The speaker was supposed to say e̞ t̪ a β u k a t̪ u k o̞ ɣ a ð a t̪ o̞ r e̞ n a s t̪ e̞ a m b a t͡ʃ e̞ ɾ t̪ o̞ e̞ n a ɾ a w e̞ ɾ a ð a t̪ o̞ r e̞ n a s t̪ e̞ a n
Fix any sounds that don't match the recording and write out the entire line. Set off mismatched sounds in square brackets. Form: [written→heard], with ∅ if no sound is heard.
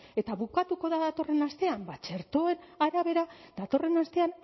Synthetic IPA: e̞ t̪ a β u k a t̪ u k o̞ [ɣ→ð] a ð a t̪ o̞ r e̞ n a s t̪ e̞ a m b a t͡ʃ e̞ ɾ t̪ o̞ e̞ n a ɾ a [w→β] e̞ ɾ a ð a t̪ o̞ r e̞ n a s t̪ e̞ a n